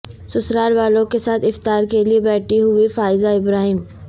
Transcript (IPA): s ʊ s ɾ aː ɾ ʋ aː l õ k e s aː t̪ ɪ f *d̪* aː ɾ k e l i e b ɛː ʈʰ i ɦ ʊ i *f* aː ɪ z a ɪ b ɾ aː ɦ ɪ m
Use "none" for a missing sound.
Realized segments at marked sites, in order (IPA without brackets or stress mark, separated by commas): t̪, f